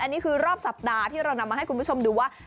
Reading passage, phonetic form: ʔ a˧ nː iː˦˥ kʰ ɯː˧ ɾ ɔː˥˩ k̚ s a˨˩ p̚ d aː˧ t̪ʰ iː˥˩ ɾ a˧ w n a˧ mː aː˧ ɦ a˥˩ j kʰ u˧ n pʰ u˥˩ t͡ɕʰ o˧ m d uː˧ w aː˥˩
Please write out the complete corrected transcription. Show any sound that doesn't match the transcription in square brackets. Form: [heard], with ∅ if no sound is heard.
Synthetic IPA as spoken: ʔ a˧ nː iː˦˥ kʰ ɯː˧ ɾ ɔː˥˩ [p̚] s a˨˩ p̚ d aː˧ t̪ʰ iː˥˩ ɾ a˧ w n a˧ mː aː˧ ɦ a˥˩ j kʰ u˧ n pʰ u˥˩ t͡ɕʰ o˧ m d uː˧ w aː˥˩